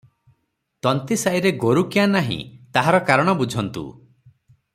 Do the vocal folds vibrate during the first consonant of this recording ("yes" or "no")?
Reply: no